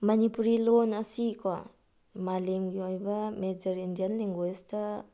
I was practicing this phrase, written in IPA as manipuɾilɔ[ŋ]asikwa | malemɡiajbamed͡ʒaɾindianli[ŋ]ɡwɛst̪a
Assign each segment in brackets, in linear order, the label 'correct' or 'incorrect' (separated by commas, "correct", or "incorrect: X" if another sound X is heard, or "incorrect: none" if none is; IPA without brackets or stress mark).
incorrect: n, correct